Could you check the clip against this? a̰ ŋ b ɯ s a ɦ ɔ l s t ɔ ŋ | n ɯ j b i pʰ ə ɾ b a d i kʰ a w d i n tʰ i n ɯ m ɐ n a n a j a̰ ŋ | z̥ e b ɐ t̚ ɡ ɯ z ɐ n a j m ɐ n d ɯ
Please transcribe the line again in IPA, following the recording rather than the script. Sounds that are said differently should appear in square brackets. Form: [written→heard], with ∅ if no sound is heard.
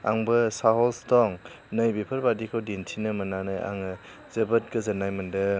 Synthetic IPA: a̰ ŋ b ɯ s a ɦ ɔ l s t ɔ ŋ | n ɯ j b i pʰ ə ɾ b a d i kʰ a w d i n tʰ i n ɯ m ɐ n a n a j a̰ ŋ | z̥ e b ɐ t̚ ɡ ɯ z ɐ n a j m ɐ n d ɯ